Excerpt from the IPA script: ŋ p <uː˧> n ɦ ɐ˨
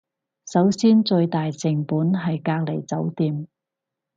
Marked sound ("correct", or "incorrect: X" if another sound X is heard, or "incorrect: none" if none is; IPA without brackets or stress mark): incorrect: uː˨˥